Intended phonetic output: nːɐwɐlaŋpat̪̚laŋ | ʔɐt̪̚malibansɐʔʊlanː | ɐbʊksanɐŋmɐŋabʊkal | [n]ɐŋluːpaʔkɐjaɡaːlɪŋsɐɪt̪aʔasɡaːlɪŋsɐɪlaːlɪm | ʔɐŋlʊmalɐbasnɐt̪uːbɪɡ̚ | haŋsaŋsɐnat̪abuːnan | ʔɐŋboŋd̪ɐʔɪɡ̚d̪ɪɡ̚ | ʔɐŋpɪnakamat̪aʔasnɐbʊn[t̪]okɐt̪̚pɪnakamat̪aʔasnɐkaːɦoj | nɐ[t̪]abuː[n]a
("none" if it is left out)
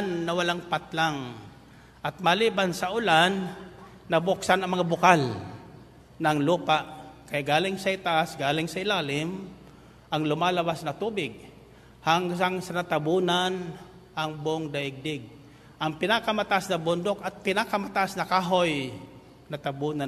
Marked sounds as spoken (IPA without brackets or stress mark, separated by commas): n, d̪, t̪, n